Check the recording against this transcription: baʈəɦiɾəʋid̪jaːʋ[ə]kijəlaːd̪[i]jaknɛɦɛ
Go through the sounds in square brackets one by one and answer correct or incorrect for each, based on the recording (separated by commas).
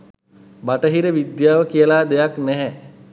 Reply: correct, incorrect